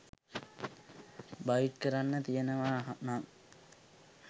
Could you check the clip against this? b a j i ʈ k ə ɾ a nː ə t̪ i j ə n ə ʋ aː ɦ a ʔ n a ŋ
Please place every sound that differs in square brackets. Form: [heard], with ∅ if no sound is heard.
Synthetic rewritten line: b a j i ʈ k ə ɾ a nː ə t̪ i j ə n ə ʋ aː ɦ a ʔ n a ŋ